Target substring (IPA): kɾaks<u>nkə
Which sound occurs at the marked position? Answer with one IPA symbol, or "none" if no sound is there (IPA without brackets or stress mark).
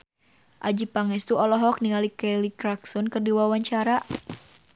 ɔ